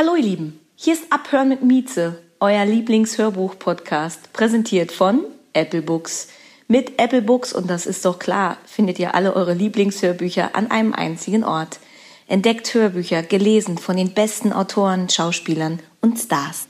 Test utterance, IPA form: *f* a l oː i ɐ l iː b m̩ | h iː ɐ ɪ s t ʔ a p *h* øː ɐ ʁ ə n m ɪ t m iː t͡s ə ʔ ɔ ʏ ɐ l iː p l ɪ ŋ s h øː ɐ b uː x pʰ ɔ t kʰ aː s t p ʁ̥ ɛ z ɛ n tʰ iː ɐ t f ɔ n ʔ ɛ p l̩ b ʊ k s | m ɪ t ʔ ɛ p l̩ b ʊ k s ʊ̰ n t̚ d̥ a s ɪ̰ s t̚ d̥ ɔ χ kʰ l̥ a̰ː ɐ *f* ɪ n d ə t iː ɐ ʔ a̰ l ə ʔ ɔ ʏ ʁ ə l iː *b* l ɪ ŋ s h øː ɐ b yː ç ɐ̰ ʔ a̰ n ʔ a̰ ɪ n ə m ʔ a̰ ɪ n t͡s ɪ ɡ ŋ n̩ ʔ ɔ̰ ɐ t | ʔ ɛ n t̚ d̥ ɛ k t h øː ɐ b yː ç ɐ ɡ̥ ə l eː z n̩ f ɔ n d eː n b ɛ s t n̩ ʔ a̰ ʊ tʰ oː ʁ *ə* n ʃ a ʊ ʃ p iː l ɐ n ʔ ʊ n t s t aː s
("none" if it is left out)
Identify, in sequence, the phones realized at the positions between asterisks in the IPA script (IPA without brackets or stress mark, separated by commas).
h, h, f, p, ə